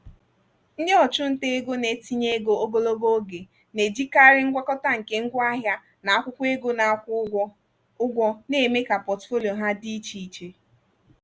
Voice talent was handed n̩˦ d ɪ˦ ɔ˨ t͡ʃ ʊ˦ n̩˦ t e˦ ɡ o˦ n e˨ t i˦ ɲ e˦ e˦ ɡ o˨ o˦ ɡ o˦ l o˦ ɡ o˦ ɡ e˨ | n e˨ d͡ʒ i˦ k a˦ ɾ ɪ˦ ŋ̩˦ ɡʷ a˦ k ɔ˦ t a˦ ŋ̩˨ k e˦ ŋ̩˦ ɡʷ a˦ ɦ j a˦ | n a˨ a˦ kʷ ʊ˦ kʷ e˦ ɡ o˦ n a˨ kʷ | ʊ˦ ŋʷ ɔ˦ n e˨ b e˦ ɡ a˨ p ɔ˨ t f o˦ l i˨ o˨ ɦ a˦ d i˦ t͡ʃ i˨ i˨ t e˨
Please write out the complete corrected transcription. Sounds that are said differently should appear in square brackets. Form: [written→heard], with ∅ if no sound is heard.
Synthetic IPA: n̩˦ d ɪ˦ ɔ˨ t͡ʃ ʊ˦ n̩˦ t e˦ ɡ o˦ n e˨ t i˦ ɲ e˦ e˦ ɡ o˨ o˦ ɡ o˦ l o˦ ɡ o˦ ɡ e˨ | n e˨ d͡ʒ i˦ k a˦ ɾ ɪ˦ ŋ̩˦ ɡʷ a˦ k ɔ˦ t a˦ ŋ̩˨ k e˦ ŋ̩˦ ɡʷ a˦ ɦ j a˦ | n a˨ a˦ kʷ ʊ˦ kʷ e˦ ɡ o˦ n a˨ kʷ | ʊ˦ [ŋʷ→ɡʷ] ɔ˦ n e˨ [b→m] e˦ [ɡ→k] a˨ p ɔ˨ t f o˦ l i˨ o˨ ɦ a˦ d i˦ t͡ʃ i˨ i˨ [t→t͡ʃ] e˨